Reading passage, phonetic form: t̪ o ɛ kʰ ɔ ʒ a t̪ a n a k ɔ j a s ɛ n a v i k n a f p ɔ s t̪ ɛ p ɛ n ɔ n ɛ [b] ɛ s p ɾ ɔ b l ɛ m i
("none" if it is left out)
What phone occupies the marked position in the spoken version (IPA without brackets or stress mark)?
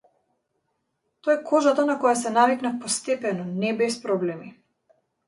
b